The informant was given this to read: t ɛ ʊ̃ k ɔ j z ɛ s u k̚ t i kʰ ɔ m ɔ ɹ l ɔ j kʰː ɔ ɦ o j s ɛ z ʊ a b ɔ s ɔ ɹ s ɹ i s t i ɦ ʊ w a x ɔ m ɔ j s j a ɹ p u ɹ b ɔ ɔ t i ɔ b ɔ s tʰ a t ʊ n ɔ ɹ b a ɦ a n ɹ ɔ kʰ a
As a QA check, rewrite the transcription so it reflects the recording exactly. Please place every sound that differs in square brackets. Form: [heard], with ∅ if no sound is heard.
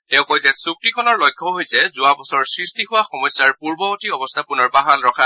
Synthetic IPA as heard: t ɛ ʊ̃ k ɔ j z ɛ s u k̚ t i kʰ ɔ [n] ɔ ɹ l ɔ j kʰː ɔ ɦ o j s ɛ z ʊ a b ɔ s ɔ ɹ s ɹ i s t i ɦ ʊ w a x ɔ m ɔ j s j a ɹ p u ɹ b ɔ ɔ t i ɔ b ɔ s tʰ a [p] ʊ n ɔ ɹ b a ɦ a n ɹ ɔ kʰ a